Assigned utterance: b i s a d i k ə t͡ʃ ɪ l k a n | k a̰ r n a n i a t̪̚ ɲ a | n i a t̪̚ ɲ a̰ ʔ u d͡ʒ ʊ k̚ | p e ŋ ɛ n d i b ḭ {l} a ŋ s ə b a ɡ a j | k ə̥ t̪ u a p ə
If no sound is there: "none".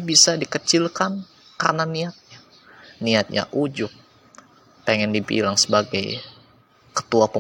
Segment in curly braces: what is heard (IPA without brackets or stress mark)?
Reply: l